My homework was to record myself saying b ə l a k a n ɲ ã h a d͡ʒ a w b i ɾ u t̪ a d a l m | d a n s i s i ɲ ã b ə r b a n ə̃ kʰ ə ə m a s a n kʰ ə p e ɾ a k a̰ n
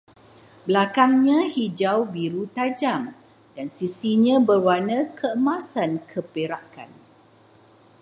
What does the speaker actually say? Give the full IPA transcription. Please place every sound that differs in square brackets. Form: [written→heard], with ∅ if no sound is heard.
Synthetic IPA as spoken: b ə l a k a [n→ŋ] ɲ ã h [a→i] d͡ʒ a w b i ɾ u t̪ a [d→d͡ʒ] a [l→∅] m | d a n s i s i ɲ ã b ə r [b→w] a n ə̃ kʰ ə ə m a s a n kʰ ə p e ɾ a k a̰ n